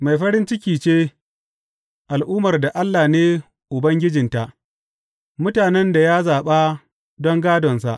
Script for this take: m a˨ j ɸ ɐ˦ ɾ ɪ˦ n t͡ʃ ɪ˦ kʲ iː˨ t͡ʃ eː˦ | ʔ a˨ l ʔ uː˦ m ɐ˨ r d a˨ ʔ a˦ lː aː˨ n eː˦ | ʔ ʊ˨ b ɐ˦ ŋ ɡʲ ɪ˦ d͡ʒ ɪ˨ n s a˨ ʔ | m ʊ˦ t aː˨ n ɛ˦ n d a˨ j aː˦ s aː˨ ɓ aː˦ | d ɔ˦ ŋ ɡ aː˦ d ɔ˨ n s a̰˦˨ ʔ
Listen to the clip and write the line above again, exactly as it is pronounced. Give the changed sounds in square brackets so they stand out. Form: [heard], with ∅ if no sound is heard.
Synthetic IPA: m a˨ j ɸ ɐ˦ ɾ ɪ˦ n t͡ʃ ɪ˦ kʲ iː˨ t͡ʃ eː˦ | ʔ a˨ l ʔ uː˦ m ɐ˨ r d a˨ ʔ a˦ lː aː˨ n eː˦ | ʔ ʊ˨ b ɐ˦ ŋ ɡʲ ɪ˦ d͡ʒ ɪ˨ n [t] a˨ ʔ | m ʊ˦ t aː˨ n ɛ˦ n d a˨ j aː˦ [z] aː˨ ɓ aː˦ | d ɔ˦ ŋ ɡ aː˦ d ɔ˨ n s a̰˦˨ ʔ